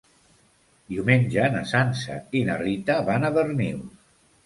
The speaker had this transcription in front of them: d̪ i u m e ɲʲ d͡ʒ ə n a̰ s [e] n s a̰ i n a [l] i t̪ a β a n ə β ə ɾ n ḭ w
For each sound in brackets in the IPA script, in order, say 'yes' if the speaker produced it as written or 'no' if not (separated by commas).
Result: no, no